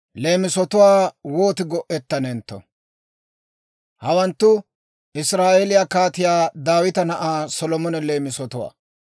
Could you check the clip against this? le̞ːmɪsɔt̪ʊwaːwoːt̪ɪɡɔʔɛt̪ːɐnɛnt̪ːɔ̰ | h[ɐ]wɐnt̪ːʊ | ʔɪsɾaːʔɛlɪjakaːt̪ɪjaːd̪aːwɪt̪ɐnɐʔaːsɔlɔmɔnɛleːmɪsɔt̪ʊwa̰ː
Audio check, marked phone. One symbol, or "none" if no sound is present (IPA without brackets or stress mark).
ɐ